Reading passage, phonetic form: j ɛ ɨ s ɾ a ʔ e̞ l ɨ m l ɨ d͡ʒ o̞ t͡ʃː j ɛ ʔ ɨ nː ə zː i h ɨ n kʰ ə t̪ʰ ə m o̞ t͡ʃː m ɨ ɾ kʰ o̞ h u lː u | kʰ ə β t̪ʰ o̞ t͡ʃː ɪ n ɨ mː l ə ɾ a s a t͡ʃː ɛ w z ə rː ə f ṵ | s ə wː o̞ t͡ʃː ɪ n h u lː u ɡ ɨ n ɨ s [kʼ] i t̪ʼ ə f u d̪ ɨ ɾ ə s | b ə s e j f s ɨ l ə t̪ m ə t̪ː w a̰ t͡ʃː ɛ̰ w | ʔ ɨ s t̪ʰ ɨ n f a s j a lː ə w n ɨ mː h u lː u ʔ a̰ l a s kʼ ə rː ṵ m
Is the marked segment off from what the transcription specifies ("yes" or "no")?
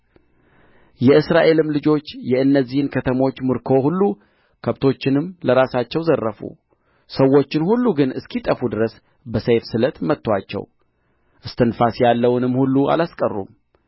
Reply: yes